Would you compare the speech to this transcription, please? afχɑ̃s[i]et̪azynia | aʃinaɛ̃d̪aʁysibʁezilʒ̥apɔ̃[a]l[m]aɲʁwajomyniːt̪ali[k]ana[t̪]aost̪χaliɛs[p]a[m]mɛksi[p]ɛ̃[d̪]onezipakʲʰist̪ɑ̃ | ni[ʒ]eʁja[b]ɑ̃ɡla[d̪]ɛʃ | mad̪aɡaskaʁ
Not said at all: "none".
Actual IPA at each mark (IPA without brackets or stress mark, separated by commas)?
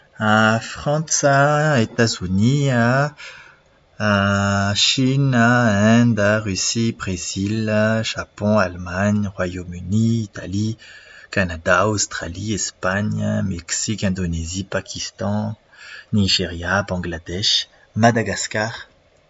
a, a, m, k, d̪, p, ɲ, k, d̪, ʒ, b, d̪